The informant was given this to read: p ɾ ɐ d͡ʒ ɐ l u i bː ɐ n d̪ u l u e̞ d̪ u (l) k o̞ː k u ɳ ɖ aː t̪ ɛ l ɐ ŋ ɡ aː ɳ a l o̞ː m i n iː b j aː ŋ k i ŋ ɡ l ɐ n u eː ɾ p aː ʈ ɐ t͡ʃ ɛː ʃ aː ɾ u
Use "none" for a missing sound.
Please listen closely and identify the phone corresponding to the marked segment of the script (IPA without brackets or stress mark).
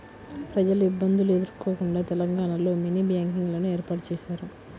ɾ